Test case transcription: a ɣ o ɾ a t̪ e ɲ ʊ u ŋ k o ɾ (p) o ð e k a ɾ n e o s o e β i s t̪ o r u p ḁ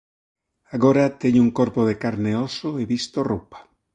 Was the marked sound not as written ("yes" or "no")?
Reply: no